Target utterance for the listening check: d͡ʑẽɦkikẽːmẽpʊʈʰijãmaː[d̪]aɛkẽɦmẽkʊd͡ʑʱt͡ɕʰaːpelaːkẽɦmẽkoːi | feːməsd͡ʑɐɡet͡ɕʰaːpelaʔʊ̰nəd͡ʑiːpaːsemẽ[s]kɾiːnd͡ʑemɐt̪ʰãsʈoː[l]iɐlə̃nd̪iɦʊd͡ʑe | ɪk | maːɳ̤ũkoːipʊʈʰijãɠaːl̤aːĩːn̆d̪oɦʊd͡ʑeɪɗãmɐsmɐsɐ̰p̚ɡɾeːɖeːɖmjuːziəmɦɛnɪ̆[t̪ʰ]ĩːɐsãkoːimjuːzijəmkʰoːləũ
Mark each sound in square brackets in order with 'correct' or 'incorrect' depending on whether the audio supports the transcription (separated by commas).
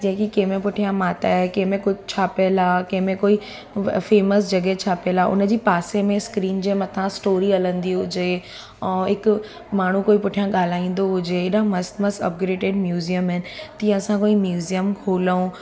incorrect, correct, incorrect, incorrect